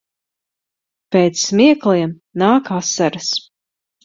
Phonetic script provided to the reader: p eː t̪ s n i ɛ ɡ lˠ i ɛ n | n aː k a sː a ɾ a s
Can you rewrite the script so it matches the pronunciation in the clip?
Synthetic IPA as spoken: p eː t̪ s m i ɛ k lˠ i ɛ m | n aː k a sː a ɾ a s